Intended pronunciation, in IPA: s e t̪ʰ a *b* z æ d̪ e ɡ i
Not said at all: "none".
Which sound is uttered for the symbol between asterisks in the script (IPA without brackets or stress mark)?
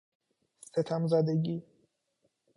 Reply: m